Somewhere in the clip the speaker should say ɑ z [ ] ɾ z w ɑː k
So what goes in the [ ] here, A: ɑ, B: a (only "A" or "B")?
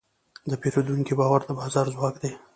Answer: A